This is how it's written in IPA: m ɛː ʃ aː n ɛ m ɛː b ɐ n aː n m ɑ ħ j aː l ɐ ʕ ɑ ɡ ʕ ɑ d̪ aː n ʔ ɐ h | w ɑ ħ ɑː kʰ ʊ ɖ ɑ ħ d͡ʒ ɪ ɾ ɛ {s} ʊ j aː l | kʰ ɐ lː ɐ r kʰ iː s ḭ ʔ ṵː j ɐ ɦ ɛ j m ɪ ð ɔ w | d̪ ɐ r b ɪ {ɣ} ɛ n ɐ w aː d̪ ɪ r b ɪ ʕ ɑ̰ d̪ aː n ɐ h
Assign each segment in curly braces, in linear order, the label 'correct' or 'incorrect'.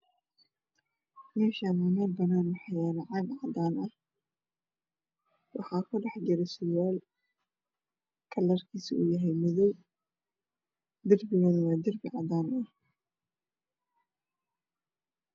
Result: correct, correct

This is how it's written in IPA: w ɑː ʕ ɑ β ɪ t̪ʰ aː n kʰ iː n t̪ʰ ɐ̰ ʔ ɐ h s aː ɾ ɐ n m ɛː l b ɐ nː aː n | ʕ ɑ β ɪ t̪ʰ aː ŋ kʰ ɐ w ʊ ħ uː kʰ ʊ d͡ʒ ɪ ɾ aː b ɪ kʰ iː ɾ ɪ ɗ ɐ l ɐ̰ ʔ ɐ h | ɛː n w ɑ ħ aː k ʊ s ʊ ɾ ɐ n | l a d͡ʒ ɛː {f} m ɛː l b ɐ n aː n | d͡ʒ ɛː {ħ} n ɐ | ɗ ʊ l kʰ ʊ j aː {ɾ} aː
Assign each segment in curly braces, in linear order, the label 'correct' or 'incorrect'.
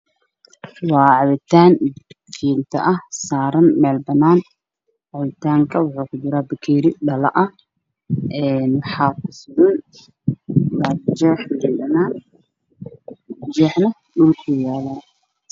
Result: incorrect: ħ, correct, incorrect: l

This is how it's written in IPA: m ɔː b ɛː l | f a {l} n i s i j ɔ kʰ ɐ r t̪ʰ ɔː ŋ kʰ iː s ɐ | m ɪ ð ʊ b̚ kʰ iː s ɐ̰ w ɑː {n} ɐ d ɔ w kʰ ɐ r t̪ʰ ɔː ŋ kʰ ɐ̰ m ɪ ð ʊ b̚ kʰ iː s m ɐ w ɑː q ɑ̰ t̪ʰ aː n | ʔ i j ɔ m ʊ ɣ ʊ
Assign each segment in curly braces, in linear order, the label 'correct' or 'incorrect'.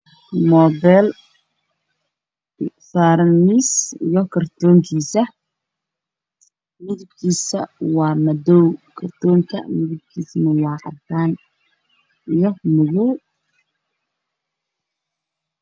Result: incorrect: ɾ, incorrect: m

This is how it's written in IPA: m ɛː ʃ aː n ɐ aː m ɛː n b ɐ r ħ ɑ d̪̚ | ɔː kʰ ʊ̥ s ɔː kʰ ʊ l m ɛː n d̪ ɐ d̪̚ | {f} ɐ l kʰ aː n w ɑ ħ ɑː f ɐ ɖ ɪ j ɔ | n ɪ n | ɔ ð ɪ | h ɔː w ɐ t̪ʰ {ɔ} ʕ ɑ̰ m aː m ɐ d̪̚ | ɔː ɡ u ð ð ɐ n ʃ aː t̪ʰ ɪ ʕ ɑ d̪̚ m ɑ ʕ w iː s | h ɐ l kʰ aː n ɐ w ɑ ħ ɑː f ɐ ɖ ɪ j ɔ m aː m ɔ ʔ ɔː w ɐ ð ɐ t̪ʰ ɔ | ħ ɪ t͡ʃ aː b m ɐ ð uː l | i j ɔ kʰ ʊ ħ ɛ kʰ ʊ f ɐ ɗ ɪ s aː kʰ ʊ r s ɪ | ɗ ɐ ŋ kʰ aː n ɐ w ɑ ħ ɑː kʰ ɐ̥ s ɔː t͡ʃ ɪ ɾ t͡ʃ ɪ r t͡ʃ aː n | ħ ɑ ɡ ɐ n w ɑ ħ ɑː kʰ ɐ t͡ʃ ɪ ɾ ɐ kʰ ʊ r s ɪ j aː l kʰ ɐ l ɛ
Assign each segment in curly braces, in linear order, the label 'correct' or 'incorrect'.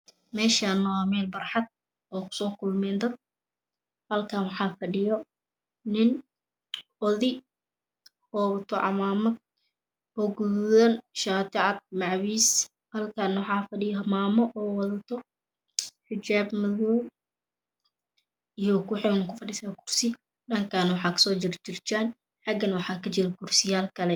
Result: incorrect: h, correct

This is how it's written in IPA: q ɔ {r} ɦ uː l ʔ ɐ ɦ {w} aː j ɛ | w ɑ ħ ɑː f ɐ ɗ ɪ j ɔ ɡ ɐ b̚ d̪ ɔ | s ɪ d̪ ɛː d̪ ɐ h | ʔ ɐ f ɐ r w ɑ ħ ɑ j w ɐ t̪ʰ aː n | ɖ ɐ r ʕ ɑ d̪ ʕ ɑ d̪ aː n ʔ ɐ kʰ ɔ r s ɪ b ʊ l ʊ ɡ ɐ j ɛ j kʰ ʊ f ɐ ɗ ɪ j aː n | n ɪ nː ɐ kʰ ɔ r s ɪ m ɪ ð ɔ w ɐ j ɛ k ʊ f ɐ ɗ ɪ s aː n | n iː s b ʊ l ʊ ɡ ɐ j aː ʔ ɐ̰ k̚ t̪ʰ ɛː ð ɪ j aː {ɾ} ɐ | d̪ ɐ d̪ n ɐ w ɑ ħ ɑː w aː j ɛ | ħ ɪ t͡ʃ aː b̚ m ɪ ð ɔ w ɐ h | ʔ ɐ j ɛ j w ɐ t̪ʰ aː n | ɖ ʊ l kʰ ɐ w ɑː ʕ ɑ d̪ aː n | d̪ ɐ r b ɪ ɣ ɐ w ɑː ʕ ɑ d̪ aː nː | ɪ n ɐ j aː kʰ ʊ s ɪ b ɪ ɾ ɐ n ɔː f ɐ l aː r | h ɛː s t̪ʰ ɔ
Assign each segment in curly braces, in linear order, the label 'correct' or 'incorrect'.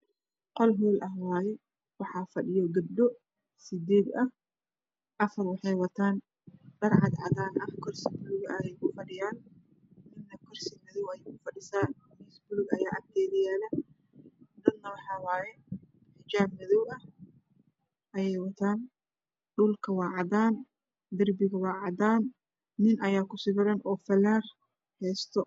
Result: incorrect: l, correct, incorrect: l

